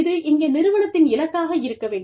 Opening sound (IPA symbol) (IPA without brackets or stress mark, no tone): ð